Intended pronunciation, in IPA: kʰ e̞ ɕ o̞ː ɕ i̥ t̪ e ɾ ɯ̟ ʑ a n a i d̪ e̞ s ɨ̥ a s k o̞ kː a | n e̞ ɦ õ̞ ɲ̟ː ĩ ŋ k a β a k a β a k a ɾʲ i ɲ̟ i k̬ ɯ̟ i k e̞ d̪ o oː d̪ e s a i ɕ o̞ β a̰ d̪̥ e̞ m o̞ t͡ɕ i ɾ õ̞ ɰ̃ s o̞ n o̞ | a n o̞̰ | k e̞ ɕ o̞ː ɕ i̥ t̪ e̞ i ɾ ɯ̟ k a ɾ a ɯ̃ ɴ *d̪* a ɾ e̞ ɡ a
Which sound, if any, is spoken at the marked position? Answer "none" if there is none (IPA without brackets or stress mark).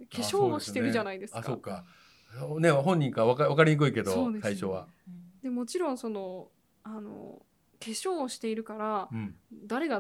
d̪